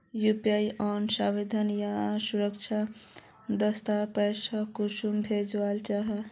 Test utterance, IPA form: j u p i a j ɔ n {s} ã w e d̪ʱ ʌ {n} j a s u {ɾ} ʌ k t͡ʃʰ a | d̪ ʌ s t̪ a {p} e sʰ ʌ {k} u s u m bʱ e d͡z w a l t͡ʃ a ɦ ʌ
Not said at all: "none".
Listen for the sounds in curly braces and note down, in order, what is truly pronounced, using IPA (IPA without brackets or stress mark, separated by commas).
s, n, ɾ, p, k